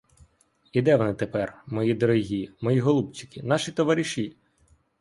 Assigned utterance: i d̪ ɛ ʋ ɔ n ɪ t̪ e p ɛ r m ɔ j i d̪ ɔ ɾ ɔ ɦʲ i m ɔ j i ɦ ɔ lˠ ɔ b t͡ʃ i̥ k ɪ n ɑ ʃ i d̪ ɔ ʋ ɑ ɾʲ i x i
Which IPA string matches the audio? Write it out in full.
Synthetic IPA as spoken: i d̪ ɛ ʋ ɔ n ɪ t̪ e p ɛ r m ɔ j i d̪ ɔ ɾ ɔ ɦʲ i m ɔ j i ɦ ɔ lˠ u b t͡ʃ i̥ k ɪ n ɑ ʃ i t̪ ɔ ʋ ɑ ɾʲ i ʃ i